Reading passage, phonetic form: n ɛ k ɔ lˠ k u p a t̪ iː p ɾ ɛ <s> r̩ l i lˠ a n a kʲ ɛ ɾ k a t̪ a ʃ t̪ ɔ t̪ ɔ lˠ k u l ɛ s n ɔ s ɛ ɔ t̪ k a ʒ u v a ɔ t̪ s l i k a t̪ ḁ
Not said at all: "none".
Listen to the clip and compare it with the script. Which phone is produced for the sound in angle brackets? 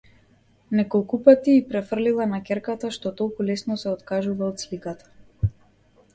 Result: f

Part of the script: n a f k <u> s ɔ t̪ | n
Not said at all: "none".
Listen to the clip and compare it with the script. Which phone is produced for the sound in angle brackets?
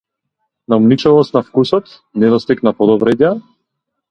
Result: u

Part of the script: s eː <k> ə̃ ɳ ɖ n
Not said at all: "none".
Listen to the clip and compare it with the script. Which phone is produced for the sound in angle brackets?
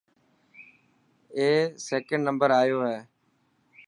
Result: k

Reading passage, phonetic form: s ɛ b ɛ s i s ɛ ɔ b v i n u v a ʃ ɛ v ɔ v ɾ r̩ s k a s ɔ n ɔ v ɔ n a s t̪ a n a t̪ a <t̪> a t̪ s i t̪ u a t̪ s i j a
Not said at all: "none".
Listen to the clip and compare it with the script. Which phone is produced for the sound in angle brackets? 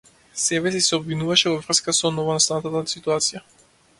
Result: t̪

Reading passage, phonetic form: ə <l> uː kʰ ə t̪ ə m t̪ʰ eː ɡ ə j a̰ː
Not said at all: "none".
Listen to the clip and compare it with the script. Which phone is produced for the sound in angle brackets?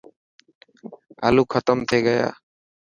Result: l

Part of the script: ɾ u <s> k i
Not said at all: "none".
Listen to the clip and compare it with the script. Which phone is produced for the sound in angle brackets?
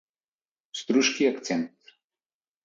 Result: ʃ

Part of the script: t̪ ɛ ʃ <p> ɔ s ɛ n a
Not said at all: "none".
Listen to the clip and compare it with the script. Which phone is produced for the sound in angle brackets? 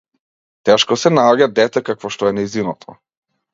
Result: k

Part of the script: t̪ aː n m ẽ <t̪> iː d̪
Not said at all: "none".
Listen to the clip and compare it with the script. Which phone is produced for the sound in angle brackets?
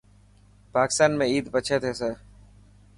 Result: none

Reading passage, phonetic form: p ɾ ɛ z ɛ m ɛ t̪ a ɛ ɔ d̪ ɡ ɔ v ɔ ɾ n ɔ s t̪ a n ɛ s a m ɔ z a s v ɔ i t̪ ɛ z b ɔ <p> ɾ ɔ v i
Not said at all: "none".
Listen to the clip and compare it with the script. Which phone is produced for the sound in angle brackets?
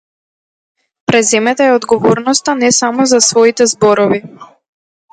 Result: none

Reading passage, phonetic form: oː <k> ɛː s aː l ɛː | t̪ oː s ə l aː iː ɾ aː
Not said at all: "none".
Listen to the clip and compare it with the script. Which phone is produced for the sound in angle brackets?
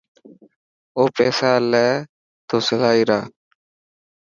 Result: p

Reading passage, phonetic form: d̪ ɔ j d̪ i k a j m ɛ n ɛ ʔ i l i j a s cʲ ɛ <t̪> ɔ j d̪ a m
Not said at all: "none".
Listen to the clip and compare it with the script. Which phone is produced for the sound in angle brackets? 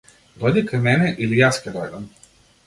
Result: d̪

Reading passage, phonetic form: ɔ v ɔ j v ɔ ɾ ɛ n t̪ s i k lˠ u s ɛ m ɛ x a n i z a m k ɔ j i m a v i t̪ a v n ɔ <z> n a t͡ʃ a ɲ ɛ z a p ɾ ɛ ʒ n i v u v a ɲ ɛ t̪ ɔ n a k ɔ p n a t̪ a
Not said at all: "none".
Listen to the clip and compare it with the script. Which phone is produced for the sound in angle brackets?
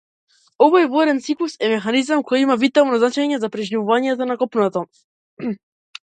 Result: z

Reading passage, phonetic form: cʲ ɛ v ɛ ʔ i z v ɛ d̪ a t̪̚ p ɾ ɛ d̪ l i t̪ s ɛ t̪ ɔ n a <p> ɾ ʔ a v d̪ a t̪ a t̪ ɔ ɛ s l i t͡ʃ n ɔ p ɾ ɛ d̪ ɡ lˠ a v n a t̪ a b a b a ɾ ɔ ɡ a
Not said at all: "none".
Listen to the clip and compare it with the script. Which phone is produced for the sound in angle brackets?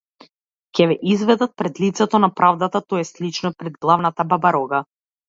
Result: p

